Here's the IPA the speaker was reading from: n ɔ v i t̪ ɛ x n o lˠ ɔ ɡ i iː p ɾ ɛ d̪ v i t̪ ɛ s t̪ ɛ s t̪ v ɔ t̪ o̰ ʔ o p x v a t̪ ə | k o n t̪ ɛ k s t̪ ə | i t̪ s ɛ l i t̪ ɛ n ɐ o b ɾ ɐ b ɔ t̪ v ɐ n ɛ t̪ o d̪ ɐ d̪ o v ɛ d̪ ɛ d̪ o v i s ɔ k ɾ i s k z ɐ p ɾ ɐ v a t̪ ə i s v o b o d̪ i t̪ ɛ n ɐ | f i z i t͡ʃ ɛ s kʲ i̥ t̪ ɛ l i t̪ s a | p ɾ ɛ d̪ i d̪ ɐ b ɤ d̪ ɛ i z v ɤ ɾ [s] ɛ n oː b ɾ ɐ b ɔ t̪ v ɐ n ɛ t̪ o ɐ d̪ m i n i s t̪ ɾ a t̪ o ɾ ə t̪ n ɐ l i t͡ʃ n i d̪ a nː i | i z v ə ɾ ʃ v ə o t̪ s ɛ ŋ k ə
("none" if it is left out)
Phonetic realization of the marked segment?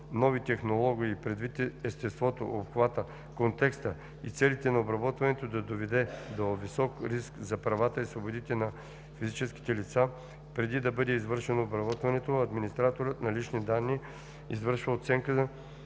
ʃ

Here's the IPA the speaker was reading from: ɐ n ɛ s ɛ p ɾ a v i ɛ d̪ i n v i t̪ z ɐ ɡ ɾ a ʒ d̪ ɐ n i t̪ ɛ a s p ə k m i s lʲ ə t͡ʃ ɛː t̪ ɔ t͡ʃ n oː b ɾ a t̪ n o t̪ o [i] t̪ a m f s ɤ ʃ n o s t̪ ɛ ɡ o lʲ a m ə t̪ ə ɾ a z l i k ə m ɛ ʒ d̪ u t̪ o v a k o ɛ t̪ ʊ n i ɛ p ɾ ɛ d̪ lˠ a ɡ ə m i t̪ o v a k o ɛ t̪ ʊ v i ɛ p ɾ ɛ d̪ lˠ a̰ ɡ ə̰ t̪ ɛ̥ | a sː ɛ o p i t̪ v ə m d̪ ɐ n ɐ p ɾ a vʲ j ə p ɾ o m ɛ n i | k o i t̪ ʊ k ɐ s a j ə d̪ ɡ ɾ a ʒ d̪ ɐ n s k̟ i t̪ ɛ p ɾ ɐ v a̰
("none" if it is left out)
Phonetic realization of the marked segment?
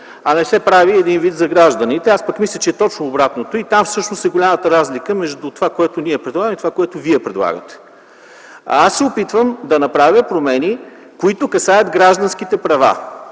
i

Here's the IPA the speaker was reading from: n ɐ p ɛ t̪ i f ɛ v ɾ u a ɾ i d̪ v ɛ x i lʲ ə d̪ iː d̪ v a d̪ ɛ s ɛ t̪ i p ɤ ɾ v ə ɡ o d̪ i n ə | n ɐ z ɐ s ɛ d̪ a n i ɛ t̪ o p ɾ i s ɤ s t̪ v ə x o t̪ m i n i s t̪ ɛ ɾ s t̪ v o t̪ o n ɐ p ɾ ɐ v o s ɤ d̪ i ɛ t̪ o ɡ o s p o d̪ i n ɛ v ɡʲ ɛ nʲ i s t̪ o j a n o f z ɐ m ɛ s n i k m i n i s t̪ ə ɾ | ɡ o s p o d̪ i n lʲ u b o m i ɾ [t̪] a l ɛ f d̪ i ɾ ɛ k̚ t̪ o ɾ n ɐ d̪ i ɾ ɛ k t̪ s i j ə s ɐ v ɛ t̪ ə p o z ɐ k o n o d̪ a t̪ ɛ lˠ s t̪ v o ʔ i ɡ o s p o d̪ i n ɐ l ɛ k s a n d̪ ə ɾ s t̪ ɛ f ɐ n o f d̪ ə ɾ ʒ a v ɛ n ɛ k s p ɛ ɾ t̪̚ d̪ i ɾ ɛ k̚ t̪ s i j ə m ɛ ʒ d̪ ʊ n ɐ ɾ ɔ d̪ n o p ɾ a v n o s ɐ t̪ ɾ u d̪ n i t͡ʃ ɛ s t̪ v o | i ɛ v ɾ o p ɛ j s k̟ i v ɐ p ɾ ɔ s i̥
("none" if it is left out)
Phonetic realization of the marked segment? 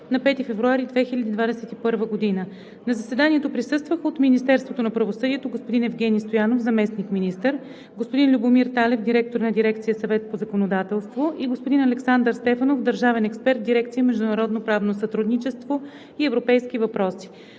t̪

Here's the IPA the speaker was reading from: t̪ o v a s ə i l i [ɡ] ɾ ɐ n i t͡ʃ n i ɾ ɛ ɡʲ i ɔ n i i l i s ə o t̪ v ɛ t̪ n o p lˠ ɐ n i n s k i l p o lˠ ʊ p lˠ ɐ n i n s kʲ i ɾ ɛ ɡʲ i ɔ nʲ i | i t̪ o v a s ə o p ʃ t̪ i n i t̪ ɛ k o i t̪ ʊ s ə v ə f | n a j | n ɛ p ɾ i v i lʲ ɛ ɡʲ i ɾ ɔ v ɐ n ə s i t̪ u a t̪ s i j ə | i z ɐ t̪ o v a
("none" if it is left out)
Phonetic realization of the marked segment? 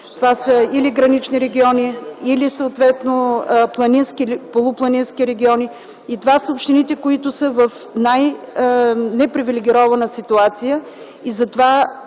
ɡ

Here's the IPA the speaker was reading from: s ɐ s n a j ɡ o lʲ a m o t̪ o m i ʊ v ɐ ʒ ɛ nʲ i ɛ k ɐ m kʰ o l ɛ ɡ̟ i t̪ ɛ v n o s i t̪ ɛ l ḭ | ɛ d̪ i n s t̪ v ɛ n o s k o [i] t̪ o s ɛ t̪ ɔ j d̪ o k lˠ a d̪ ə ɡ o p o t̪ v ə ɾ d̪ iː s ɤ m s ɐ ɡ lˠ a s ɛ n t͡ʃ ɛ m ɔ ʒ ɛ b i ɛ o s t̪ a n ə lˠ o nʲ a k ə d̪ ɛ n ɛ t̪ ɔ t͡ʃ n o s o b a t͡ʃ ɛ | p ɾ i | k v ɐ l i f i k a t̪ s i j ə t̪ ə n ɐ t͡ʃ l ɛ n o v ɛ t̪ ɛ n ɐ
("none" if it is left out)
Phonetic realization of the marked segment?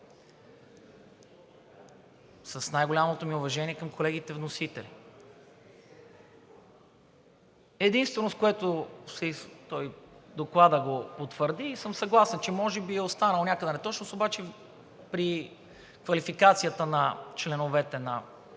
ɛ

